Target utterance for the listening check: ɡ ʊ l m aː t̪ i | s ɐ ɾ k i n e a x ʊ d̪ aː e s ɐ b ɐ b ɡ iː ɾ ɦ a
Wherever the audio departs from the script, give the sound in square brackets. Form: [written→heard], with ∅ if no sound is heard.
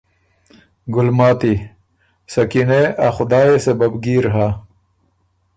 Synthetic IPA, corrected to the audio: ɡ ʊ l m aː t̪ i | s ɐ [ɾ→∅] k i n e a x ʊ d̪ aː e s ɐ b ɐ b ɡ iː ɾ ɦ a